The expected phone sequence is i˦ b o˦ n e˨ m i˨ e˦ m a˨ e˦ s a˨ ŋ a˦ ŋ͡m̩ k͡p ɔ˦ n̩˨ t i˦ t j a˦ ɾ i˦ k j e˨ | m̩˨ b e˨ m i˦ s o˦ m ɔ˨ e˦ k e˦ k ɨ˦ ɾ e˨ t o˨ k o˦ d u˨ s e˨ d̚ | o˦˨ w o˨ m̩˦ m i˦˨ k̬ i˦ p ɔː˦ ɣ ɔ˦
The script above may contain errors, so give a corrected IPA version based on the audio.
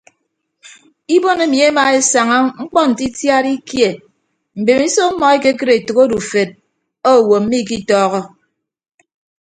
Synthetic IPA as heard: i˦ b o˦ n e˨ m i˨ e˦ m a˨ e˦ s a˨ ŋ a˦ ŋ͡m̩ k͡p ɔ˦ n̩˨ t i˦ t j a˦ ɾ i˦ k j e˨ | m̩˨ b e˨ m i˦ s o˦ m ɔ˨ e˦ k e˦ k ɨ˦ ɾ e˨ t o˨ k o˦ d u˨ f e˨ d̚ | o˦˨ w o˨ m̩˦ m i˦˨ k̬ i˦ t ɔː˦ ɣ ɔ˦